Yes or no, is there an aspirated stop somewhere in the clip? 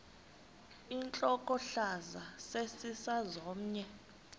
no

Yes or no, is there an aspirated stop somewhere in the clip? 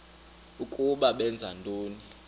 no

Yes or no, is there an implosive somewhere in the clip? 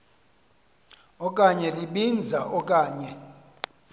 yes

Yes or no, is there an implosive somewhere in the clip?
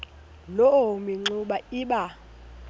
yes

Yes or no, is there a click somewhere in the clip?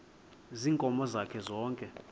no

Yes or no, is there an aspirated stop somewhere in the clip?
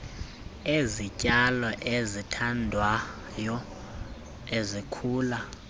yes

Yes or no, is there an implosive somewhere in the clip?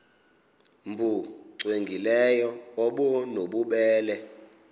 yes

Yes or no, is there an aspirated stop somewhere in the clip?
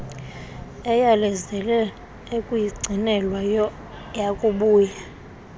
no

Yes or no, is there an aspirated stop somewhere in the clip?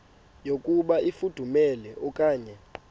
no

